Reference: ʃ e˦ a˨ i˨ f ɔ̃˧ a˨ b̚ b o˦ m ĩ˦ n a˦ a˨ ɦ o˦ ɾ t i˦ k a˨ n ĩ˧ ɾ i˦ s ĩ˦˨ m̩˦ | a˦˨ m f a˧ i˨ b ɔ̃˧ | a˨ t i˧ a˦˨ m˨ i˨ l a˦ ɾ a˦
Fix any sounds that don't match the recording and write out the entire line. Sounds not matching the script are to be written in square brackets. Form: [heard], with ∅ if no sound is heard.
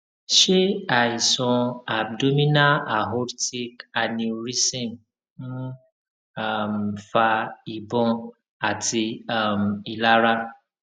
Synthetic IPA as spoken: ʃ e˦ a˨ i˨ [s] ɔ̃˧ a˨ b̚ [d] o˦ m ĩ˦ n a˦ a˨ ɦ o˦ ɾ t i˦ k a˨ n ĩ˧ ɾ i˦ s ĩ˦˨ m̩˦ | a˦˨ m f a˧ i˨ b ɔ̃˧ | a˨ t i˧ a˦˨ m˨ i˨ l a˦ ɾ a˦